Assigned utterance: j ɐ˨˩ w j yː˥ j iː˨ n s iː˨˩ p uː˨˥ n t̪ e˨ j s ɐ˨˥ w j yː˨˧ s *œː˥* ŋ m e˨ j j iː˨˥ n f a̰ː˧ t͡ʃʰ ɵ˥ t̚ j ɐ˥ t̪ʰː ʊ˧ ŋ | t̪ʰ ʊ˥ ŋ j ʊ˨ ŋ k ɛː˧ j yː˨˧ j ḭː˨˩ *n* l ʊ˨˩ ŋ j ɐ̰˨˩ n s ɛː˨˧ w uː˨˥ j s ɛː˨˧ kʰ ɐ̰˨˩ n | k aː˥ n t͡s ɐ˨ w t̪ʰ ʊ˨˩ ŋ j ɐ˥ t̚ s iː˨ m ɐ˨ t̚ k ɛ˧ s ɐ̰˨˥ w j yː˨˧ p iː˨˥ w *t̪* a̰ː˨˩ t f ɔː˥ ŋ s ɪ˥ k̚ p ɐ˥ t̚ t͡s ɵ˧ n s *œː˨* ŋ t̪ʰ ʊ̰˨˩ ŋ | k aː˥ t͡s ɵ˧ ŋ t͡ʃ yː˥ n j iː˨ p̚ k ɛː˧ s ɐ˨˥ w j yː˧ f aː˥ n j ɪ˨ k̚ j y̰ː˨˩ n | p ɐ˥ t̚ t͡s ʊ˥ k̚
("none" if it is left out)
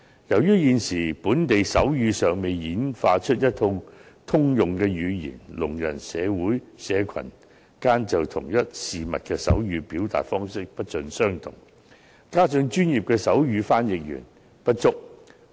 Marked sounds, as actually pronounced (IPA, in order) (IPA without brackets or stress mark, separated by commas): œː˨, n, t̪, œː˥